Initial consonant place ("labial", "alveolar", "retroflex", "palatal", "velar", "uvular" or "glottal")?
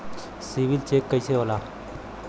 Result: alveolar